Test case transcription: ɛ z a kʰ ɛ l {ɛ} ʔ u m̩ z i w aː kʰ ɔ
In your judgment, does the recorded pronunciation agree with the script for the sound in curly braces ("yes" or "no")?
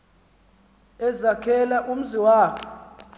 no